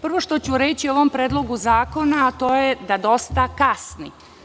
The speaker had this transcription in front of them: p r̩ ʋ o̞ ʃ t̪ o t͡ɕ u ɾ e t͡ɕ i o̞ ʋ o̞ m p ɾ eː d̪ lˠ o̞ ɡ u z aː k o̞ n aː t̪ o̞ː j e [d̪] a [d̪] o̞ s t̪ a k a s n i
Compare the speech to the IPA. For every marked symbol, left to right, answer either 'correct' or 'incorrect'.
correct, correct

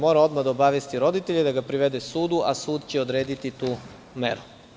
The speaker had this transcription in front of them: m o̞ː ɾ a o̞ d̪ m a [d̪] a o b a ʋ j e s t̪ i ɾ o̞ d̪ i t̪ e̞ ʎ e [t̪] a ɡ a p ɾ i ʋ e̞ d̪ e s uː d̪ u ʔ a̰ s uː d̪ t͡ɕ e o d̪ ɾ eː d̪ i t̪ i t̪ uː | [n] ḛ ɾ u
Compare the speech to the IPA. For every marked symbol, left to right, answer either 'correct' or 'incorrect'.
correct, incorrect: d̪, incorrect: m

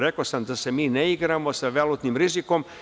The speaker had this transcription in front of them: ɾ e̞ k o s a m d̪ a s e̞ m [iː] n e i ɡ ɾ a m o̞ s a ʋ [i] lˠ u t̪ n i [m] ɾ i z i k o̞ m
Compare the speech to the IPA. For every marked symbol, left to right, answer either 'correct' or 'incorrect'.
correct, incorrect: e, correct

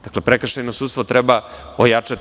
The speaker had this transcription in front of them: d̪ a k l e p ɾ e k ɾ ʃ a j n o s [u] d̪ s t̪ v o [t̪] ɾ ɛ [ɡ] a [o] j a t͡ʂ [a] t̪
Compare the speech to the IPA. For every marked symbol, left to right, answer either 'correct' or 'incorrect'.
correct, correct, incorrect: b, correct, correct

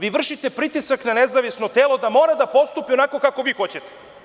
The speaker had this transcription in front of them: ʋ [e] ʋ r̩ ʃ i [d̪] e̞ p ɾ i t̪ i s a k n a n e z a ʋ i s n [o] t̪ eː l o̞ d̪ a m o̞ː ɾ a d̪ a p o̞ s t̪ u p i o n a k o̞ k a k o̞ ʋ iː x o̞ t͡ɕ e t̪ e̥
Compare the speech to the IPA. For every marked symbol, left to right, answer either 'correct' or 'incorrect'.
incorrect: i, incorrect: t̪, correct

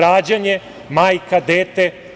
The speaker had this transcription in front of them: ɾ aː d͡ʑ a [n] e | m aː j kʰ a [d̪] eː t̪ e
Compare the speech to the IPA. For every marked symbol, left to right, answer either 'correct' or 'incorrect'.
incorrect: ɲ, correct

